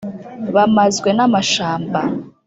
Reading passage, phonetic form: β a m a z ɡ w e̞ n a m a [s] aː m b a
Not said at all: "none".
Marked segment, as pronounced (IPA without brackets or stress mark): ʃ